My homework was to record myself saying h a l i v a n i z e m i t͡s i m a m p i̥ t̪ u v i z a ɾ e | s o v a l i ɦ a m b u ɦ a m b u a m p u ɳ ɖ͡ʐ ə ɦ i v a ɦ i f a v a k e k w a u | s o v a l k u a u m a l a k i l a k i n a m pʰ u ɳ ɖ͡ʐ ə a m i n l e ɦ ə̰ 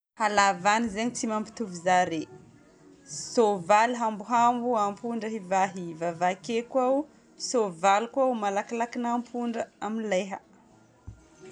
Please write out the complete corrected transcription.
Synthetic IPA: h a l a v a n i z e ɲ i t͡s i m a m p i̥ t̪ u v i z a ɾ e | s o v a l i ɦ a m b u ɦ a m b u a m p u ɳ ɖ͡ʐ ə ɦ i v a ɦ i v a v a k e k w a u | s o v a l k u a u m a l a k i l a k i n a m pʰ u ɳ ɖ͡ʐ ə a m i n l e ɦ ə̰